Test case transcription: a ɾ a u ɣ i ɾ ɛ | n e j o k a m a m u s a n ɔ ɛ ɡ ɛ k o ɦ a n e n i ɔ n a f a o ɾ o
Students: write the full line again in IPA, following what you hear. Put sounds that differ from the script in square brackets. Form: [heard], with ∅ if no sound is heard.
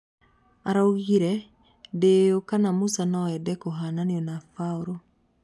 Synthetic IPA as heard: a ɾ a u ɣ i ɾ ɛ | [d] e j o k a [n] a m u s a n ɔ ɛ [d] ɛ k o ɦ a n [a] n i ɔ n a f a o ɾ o